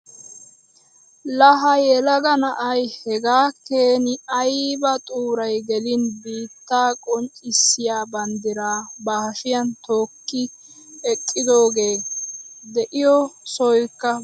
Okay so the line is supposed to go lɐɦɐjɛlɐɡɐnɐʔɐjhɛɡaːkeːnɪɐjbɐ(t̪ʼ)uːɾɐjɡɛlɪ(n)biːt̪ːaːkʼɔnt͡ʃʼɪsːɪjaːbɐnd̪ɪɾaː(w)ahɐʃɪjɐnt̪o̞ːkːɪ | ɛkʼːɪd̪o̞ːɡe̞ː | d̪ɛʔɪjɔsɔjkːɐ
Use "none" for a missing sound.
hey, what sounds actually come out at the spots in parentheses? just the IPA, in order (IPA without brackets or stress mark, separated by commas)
t̪ʼ, n, b